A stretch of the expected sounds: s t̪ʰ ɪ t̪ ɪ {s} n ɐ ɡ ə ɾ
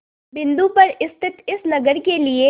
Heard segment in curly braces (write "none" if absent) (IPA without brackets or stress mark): s